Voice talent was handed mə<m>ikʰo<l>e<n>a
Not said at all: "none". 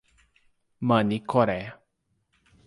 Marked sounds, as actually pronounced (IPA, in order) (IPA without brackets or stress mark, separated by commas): n, ɾ, none